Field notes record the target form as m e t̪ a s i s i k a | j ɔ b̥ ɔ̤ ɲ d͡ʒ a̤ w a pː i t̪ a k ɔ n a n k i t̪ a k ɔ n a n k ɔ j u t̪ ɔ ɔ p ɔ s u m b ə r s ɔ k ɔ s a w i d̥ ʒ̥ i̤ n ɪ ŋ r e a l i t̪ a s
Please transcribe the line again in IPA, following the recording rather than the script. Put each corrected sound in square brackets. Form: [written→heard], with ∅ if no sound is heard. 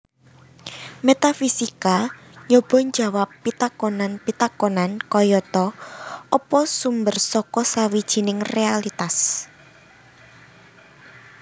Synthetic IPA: m e t̪ a [s→f] i s i k a | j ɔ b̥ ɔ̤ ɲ d͡ʒ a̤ w a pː i t̪ a k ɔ n a n [k→p] i t̪ a k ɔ n a n k ɔ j [u→ɔ] t̪ ɔ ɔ p ɔ s u m b ə r s ɔ k ɔ s a w i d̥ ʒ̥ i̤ n ɪ ŋ r e a l i t̪ a s